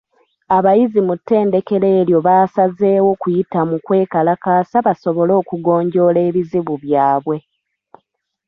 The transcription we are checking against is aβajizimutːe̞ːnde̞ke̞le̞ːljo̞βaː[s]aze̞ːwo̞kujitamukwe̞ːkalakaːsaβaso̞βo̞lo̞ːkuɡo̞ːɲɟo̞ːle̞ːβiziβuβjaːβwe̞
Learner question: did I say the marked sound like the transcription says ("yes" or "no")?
yes